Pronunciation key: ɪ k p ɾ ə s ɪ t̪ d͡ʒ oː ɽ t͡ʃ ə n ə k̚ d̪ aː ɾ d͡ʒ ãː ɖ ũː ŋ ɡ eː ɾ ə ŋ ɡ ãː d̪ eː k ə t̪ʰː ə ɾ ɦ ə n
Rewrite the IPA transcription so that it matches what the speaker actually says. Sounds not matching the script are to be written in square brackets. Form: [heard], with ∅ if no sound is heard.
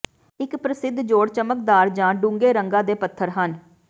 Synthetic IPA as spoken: ɪ k p ɾ ə s ɪ [d̪] d͡ʒ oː ɽ t͡ʃ ə [m] ə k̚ d̪ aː ɾ d͡ʒ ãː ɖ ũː ŋ ɡ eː ɾ ə ŋ ɡ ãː d̪ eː [p] ə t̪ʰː ə ɾ ɦ ə n